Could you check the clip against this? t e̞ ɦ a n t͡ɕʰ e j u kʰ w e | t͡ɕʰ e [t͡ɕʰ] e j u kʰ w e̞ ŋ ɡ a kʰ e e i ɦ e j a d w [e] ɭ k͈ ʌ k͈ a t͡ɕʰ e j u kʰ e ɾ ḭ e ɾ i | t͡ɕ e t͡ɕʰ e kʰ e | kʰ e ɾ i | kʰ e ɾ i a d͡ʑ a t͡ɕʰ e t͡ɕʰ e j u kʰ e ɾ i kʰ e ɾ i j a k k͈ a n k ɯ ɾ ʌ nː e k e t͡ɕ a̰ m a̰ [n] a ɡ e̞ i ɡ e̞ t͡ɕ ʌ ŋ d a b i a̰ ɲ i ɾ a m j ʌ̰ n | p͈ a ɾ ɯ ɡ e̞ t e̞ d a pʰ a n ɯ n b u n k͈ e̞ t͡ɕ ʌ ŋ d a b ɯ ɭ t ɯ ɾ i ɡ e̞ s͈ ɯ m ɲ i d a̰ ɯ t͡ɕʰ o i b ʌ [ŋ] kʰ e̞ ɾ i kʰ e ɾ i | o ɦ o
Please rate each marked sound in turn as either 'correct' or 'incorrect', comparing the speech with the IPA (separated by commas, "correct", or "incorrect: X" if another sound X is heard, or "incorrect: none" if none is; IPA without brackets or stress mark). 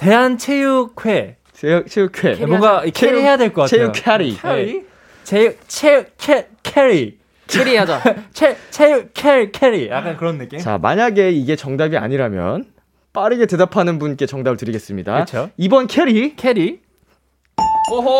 correct, correct, incorrect: ɲ, incorrect: n